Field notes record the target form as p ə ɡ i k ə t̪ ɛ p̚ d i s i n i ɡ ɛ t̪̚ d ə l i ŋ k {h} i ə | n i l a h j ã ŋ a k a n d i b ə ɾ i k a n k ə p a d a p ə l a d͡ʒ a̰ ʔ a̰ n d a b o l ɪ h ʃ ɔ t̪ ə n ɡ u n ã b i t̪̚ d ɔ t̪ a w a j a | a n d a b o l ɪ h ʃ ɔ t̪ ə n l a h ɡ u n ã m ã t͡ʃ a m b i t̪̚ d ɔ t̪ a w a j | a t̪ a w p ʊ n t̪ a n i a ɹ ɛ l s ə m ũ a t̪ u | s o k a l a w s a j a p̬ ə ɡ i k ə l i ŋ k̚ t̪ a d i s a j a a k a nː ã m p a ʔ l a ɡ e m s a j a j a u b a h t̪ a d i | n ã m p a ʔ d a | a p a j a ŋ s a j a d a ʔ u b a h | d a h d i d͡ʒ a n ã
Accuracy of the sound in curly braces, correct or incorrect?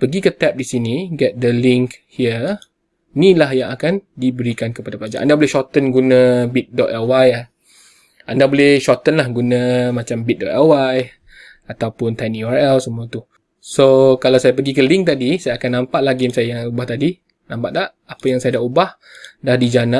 correct